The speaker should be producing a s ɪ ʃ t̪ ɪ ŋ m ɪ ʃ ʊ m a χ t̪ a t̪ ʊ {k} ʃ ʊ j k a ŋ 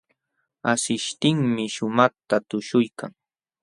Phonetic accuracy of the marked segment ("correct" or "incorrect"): incorrect